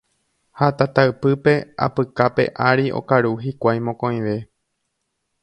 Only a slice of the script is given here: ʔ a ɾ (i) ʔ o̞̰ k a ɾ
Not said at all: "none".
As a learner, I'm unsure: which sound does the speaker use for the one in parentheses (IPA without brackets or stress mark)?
i